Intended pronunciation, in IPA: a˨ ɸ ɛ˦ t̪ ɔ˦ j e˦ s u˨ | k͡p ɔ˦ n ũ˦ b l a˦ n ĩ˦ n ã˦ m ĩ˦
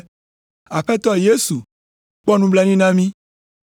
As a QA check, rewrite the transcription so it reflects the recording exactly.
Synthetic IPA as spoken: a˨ ɸ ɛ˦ t̪ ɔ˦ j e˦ s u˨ | k͡p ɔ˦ n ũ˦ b l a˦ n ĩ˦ n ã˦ m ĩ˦